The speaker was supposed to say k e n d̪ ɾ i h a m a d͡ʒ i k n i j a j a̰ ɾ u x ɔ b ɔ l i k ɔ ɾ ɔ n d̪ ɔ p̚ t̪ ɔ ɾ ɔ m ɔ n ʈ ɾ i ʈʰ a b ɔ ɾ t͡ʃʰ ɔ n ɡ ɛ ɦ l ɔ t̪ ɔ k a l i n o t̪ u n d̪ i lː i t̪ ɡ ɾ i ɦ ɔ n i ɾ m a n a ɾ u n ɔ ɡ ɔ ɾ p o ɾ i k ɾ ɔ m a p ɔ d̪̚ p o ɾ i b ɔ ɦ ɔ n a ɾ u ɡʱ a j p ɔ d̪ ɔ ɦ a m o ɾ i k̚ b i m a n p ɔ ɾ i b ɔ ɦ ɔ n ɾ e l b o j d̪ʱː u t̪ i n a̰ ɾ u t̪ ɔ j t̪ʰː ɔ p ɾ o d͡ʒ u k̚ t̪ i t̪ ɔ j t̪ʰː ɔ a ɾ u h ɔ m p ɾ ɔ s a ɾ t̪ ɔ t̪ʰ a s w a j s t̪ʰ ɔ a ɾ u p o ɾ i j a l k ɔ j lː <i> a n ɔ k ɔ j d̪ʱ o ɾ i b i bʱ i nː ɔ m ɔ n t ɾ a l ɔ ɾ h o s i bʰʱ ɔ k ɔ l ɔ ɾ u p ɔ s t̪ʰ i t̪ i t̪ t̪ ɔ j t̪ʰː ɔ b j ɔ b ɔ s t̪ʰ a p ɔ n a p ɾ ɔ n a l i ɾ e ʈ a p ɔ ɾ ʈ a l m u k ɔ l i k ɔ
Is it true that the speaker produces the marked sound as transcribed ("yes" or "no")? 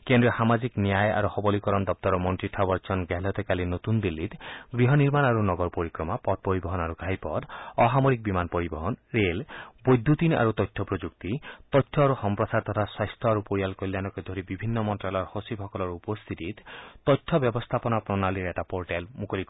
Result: no